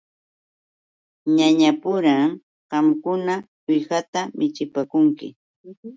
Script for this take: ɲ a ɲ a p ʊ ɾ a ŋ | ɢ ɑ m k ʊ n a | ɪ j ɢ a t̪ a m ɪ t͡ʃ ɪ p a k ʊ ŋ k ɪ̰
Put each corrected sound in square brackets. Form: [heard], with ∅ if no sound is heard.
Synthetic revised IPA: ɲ a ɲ a p ʊ ɾ a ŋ | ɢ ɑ m k ʊ n a | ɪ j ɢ a t̪ a m ɪ t͡ʃ ɪ p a k ʊ ŋ k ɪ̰

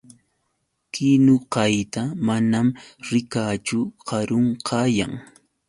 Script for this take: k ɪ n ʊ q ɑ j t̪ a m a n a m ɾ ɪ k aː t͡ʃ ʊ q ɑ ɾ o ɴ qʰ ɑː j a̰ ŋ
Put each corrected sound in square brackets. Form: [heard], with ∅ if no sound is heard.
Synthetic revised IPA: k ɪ n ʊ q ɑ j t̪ a m a n a m ɾ ɪ k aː t͡ʃ ʊ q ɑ ɾ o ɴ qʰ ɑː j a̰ ŋ

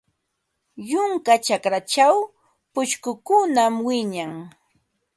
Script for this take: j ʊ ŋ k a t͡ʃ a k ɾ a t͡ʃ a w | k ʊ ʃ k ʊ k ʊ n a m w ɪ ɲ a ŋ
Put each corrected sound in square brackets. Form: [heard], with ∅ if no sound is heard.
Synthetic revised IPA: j ʊ ŋ k a t͡ʃ a k ɾ a t͡ʃ a w | [p] ʊ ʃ k ʊ k ʊ n a m w ɪ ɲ a ŋ

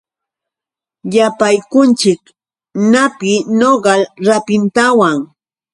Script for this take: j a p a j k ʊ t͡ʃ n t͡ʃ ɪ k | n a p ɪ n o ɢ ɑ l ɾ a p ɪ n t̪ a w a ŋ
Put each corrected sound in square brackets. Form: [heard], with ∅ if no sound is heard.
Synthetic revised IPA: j a p a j k ʊ [∅] n t͡ʃ ɪ k | n a p ɪ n o ɢ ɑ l ɾ a p ɪ n t̪ a w a ŋ

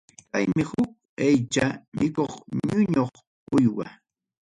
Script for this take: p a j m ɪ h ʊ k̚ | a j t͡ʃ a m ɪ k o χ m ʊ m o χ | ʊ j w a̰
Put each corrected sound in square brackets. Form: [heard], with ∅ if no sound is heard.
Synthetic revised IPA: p a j m ɪ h ʊ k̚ | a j t͡ʃ a m ɪ k o χ [ɲ] ʊ [ɲ] o χ | ʊ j w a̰

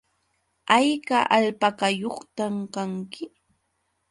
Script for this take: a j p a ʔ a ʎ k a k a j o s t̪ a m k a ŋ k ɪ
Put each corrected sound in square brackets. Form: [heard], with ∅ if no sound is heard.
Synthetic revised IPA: a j [k] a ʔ a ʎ [p] a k a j o [χ] t̪ a m k a ŋ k ɪ

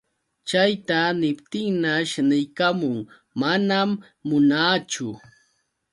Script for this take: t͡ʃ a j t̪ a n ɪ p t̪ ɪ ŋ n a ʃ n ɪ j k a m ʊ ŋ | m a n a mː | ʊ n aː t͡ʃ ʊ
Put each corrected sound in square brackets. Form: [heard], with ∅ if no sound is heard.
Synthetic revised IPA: t͡ʃ a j t̪ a n ɪ p t̪ ɪ ŋ n a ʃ n ɪ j k a m ʊ ŋ | m a n a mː | ʊ n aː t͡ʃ ʊ

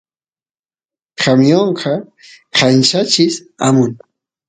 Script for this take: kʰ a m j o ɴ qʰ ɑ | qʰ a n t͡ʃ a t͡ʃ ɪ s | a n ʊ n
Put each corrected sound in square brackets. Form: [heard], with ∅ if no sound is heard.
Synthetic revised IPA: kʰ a m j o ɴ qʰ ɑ | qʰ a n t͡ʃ a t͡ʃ ɪ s | a [m] ʊ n

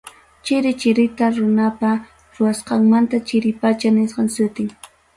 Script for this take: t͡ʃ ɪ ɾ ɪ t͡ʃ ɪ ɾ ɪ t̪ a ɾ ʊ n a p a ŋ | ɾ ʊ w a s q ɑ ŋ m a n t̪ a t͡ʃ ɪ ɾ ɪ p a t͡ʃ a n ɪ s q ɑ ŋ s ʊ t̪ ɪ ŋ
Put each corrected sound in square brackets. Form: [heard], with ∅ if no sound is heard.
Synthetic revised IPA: t͡ʃ ɪ ɾ ɪ t͡ʃ ɪ ɾ ɪ t̪ a ɾ ʊ n a p a [∅] | ɾ ʊ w a s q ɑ ŋ m a n t̪ a t͡ʃ ɪ ɾ ɪ p a t͡ʃ a n ɪ s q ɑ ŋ s ʊ t̪ ɪ ŋ

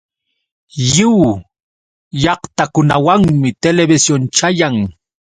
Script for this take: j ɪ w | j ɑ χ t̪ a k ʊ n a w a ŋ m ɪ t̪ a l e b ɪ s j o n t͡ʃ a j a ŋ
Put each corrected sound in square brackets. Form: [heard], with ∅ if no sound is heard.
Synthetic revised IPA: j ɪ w | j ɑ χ t̪ a k ʊ n a w a ŋ m ɪ t̪ [e] l e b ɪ s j o n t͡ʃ a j a ŋ

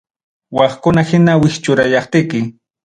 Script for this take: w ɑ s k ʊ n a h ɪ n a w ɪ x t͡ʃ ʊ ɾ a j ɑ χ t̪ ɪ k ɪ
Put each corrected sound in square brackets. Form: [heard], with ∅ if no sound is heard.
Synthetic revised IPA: w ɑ [χ] k ʊ n a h ɪ n a w ɪ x t͡ʃ ʊ ɾ a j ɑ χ t̪ ɪ k ɪ

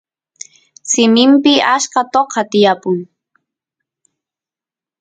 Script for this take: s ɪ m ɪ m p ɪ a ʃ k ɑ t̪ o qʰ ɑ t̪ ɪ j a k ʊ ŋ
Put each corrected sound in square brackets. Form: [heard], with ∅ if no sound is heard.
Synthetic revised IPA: s ɪ m ɪ m p ɪ a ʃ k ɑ t̪ o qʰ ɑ t̪ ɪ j a [p] ʊ ŋ

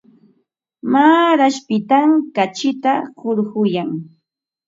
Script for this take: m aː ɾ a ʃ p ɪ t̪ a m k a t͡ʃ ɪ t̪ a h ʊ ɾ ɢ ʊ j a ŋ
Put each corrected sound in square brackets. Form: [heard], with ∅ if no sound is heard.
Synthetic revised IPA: m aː ɾ a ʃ p ɪ t̪ a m k a t͡ʃ ɪ t̪ a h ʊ ɾ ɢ ʊ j a ŋ

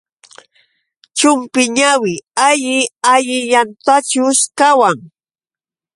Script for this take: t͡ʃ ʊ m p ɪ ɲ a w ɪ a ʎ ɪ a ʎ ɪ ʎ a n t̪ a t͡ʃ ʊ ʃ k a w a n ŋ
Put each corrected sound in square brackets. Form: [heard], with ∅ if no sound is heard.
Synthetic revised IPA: t͡ʃ ʊ m p ɪ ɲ a w ɪ a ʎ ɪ a ʎ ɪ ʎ a n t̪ a t͡ʃ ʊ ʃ k a w a [∅] ŋ

